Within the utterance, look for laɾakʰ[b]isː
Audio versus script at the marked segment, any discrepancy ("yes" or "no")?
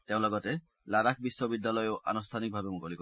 no